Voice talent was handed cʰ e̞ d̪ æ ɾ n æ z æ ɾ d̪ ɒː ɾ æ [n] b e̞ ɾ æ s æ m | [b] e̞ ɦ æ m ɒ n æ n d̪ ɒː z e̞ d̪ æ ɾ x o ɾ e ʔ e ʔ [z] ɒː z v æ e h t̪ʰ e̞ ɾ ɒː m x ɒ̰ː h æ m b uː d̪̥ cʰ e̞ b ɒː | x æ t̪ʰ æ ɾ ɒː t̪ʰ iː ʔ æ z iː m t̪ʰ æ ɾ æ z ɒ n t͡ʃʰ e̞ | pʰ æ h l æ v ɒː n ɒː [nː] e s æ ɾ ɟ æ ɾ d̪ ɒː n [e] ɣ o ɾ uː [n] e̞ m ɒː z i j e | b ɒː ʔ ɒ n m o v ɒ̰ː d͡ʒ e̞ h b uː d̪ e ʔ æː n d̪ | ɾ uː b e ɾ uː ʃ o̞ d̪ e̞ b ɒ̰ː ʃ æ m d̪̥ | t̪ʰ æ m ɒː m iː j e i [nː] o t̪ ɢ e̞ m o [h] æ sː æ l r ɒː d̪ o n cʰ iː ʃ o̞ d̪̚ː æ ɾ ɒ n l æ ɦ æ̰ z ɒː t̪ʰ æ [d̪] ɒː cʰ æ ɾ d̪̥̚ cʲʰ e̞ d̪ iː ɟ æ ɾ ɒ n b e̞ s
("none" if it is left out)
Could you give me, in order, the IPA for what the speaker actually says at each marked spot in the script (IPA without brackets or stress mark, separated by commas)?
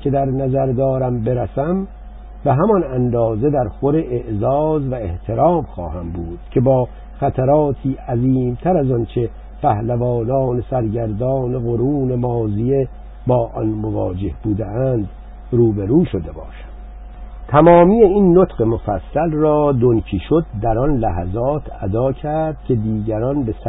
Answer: m, b, z, n, e, n, nː, f, d̪